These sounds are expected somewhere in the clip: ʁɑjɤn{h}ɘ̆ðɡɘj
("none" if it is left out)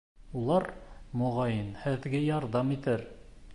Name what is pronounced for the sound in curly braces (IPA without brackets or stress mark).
h